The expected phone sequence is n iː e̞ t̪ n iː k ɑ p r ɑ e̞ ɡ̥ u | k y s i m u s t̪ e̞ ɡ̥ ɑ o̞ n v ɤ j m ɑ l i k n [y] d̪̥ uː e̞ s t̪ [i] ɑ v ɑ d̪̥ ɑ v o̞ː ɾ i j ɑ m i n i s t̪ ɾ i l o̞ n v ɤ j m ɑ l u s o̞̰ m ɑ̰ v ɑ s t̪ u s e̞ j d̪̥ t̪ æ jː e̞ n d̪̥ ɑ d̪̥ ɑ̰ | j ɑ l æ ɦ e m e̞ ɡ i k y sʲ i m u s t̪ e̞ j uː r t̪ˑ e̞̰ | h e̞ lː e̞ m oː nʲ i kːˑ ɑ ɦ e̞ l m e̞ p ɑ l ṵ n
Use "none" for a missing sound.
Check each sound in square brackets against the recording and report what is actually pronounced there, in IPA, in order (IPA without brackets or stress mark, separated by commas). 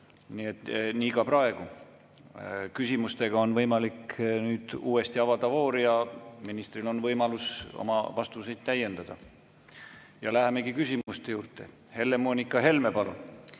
yː, i